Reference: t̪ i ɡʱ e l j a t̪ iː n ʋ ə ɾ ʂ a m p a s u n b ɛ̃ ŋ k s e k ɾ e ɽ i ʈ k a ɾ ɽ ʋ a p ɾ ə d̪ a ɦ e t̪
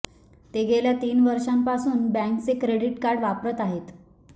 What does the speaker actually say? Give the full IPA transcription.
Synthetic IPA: t̪ e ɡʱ e l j a t̪ iː n ʋ ə ɾ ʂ a m p a s uː n b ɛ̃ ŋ k t͡s e k ɾ e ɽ i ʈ k a ɾ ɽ ʋ a p ɾ ə t̪ a ɦ e t̪